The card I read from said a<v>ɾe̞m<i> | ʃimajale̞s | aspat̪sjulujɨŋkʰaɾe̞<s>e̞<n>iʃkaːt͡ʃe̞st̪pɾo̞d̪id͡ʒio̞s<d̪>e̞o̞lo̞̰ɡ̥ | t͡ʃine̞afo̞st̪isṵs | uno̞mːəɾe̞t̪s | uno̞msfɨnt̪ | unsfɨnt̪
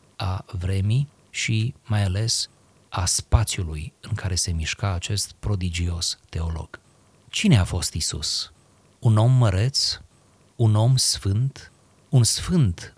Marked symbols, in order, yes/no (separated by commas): yes, yes, yes, no, no